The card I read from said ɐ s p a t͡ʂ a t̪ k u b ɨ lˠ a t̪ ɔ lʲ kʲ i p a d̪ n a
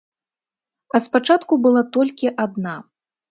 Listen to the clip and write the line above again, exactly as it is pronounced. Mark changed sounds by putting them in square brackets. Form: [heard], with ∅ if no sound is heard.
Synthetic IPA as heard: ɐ s p a t͡ʂ a t̪ k u b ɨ lˠ a t̪ ɔ lʲ kʲ i [ʔ] a d̪ n a